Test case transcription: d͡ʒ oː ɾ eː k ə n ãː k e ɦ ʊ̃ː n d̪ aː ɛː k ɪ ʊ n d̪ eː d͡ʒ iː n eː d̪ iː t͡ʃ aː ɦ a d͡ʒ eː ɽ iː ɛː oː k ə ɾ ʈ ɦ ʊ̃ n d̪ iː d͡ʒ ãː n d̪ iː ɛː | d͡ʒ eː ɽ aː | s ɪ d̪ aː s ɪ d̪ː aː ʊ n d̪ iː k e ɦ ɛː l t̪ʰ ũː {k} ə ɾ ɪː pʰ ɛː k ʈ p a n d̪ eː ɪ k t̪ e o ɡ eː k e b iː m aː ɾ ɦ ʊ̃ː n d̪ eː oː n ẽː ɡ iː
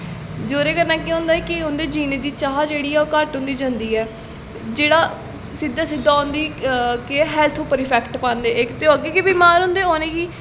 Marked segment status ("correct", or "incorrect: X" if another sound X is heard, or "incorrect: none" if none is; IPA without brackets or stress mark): incorrect: p